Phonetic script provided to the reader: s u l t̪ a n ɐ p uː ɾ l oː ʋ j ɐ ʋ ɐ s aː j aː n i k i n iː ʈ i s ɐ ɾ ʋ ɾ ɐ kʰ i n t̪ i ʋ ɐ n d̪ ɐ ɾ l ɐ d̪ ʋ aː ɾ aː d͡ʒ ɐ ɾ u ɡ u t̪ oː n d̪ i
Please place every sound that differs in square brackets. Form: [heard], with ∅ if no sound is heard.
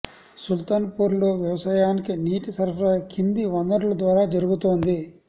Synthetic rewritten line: s u l t̪ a n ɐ p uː ɾ l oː ʋ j ɐ ʋ ɐ s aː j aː n i k i n iː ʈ i s ɐ ɾ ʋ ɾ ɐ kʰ i n [d̪] i ʋ ɐ n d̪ ɐ ɾ l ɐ d̪ ʋ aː ɾ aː d͡ʒ ɐ ɾ u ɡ u t̪ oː n d̪ i

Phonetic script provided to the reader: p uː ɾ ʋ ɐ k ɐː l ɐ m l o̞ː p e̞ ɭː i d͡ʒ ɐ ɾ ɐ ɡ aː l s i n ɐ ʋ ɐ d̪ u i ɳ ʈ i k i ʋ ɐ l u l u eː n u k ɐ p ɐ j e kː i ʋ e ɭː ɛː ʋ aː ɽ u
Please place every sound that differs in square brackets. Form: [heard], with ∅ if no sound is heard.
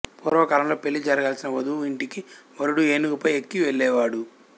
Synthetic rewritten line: p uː ɾ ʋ ɐ k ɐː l ɐ m l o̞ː p e̞ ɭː i d͡ʒ ɐ ɾ ɐ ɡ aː l s i n ɐ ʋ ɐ d̪ u i ɳ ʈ i k i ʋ ɐ [ɾ] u [ɽ] u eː n u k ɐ p ɐ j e kː i ʋ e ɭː ɛː ʋ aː ɽ u

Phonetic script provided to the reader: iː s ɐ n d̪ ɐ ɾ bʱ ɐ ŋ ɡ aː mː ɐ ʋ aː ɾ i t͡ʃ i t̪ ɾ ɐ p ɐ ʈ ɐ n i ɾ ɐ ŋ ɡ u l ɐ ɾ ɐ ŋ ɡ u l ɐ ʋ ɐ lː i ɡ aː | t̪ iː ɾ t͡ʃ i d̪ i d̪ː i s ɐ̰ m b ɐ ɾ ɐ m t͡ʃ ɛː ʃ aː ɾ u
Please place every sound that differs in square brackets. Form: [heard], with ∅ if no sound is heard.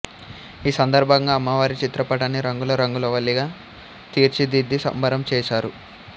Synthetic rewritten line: iː s ɐ n d̪ ɐ ɾ bʱ ɐ ŋ ɡ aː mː ɐ ʋ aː ɾ i t͡ʃ i t̪ ɾ ɐ p ɐ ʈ ɐ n i ɾ ɐ ŋ ɡ u l ɐ ɾ ɐ ŋ ɡ u l ɐ ʋ ɐ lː i ɡ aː | t̪ iː ɾ t͡ʃ i d̪ i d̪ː i s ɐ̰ m b ɐ ɾ ɐ m t͡ʃ ɛː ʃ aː ɾ u

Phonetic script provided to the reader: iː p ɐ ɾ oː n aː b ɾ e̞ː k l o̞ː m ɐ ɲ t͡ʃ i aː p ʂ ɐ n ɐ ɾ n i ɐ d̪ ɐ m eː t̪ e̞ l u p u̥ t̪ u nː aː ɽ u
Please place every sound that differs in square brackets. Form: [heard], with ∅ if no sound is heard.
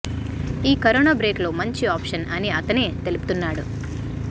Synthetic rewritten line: iː [k] ɐ ɾ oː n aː b ɾ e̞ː k l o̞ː m ɐ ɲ t͡ʃ i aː p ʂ ɐ n ɐ [∅] n i ɐ [t̪] ɐ [n] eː t̪ e̞ l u p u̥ t̪ u nː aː ɽ u

